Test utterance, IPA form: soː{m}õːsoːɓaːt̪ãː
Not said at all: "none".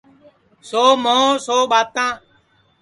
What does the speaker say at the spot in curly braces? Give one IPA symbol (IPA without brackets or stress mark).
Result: m